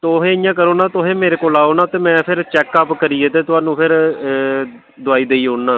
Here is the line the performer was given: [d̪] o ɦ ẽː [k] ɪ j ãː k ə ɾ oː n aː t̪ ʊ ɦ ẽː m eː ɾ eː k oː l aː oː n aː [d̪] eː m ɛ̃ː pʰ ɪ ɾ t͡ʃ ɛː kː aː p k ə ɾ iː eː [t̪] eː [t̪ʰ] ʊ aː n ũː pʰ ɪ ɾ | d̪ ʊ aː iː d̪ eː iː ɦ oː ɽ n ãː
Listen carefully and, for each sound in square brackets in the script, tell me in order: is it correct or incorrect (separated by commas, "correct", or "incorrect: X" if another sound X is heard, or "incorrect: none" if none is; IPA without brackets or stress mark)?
incorrect: t̪, incorrect: none, incorrect: t̪, correct, incorrect: t̪